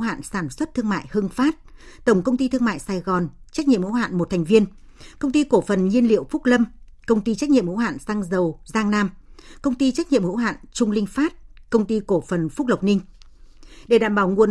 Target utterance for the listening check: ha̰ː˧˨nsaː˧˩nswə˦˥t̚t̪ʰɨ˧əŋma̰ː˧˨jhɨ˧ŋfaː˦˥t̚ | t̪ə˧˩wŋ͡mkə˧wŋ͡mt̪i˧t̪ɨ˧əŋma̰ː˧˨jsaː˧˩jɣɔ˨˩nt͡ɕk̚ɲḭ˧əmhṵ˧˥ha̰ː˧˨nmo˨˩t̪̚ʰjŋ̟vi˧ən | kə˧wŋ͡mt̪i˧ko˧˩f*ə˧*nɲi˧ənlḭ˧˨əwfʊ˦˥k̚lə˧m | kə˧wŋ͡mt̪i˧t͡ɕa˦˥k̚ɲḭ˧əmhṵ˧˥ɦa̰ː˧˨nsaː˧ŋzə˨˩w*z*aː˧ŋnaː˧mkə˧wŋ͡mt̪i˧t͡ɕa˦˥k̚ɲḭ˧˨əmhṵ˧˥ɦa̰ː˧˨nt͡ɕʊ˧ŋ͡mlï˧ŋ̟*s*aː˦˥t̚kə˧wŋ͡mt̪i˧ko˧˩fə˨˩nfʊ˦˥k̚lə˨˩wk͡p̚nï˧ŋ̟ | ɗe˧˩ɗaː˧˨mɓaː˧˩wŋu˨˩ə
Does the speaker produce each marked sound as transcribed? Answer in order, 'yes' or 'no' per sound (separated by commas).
no, yes, no